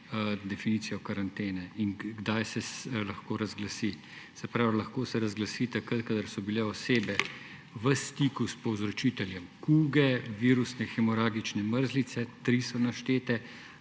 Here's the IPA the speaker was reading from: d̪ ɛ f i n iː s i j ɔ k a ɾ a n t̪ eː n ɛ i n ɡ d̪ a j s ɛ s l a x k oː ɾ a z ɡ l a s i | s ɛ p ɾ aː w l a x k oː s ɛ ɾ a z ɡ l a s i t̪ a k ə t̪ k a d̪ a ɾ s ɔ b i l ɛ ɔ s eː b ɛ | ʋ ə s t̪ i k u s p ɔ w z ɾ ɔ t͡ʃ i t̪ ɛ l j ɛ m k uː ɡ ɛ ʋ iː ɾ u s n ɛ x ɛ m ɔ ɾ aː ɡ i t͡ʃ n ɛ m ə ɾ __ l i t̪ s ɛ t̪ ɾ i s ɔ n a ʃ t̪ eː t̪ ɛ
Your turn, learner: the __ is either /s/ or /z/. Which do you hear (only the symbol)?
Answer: z